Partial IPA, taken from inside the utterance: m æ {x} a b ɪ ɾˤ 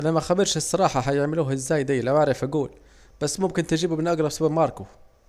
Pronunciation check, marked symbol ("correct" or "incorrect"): correct